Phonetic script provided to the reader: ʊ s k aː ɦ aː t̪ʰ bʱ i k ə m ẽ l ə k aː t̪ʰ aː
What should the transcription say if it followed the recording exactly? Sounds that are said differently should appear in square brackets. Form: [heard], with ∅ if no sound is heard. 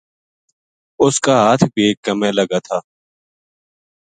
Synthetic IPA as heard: ʊ s k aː ɦ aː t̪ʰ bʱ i k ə m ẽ l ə [ɡ] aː t̪ʰ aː